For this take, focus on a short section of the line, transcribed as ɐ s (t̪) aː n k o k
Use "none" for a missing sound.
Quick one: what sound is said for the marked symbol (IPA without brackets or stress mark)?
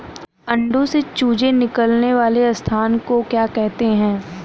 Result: t̪ʰ